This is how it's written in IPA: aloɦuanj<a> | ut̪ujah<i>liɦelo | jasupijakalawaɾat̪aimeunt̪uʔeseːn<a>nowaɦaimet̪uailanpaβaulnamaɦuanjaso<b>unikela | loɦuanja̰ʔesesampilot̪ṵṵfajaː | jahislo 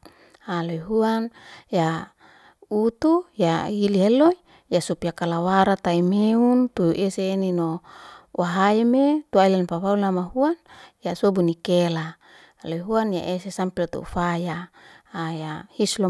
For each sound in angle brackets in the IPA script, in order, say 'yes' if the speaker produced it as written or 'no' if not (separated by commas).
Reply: yes, yes, no, yes